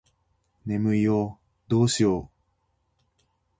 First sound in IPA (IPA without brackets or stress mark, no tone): n